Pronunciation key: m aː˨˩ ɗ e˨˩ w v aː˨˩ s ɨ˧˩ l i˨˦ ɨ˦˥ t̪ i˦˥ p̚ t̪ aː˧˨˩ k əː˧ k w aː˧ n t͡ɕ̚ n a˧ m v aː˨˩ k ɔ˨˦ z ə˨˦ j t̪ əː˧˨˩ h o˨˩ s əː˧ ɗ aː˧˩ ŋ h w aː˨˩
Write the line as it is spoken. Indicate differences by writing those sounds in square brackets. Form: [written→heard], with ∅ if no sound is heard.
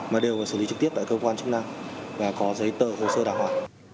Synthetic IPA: m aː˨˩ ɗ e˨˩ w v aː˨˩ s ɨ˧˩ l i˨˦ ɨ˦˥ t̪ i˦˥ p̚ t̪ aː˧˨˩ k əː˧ k w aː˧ n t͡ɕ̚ n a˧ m v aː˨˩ k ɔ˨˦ z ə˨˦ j t̪ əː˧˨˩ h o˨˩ s əː˧ ɗ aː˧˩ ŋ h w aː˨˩